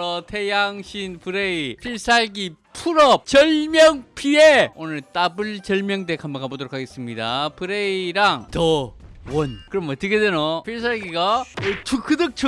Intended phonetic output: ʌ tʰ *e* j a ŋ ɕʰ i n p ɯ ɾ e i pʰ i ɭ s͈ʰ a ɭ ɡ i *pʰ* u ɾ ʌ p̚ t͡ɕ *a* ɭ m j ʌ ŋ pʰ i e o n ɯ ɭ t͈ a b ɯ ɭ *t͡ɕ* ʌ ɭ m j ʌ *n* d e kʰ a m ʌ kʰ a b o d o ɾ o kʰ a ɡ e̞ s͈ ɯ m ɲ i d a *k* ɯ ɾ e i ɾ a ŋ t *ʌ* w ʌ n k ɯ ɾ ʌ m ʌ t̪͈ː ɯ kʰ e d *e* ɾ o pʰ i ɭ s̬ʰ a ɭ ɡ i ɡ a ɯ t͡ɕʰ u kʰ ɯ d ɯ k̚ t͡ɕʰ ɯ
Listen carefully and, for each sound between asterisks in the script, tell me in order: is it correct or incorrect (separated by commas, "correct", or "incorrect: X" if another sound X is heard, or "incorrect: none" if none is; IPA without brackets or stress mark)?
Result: correct, correct, incorrect: ʌ, correct, incorrect: ŋ, incorrect: p, correct, correct